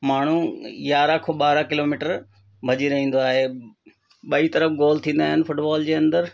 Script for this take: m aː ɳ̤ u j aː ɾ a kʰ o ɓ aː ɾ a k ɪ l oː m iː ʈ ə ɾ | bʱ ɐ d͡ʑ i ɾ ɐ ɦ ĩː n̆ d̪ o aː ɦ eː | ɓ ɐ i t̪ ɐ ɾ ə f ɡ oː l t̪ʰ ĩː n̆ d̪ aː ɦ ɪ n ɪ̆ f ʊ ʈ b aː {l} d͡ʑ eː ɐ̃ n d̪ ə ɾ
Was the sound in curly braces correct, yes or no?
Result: yes